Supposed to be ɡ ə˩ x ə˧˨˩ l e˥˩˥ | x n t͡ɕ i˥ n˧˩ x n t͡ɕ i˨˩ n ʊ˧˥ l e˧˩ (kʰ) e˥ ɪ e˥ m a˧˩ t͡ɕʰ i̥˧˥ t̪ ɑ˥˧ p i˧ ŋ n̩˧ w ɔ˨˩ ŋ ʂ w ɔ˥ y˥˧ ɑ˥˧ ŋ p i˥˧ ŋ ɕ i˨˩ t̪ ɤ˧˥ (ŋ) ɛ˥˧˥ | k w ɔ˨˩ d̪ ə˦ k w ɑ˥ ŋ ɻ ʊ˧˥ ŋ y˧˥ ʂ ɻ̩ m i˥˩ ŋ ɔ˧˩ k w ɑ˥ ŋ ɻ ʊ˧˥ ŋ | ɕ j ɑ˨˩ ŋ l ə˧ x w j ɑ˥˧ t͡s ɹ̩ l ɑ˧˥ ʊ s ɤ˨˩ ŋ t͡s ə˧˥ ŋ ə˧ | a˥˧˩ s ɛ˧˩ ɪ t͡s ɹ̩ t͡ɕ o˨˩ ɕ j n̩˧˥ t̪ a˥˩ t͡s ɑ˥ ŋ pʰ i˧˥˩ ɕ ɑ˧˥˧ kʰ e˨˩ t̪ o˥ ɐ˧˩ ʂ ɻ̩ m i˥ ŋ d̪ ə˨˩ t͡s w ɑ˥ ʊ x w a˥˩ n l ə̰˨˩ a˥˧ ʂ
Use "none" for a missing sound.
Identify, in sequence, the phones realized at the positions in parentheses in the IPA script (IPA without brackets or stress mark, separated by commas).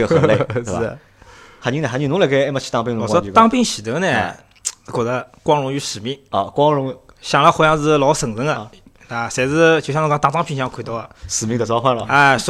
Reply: k, n